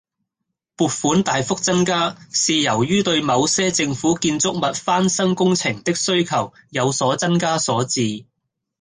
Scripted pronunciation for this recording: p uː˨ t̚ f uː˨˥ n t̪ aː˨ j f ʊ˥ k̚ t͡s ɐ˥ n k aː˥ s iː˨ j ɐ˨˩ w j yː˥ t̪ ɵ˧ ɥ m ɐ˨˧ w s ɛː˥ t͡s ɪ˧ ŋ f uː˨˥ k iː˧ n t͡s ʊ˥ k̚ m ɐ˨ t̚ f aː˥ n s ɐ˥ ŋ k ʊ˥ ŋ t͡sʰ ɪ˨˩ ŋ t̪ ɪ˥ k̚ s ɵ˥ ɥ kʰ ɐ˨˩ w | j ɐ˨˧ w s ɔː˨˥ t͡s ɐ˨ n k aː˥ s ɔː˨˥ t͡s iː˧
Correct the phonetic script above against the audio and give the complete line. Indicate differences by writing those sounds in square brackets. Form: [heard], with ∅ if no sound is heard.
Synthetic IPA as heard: p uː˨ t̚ f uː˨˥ n t̪ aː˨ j f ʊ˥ k̚ t͡s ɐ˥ n k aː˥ s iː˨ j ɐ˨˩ w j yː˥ t̪ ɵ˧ ɥ m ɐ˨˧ w s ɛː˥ t͡s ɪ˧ ŋ f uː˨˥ k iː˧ n t͡s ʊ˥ k̚ m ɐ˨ t̚ f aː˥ n s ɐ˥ ŋ k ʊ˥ ŋ t͡sʰ ɪ˨˩ ŋ t̪ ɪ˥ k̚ s ɵ˥ ɥ kʰ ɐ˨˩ w | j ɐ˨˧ w s ɔː˨˥ t͡s [ɐ˥] n k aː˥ s ɔː˨˥ t͡s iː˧